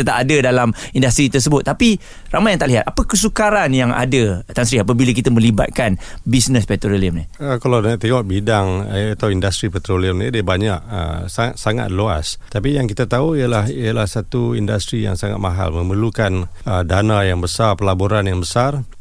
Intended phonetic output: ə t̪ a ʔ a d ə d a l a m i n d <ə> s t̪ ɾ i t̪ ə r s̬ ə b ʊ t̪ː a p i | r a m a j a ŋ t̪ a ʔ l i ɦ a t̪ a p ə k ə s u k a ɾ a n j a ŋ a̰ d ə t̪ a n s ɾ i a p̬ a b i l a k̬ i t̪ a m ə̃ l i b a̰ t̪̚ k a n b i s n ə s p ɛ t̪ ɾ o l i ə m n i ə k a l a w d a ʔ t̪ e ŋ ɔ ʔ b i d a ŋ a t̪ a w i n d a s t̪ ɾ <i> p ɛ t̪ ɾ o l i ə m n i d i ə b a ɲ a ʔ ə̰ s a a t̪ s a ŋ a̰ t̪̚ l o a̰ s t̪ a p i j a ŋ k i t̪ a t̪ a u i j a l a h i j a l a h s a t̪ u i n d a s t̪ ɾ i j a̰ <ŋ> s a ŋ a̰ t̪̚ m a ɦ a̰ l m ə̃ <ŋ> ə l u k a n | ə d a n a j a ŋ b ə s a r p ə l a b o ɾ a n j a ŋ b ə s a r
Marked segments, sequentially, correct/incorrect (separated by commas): incorrect, correct, correct, incorrect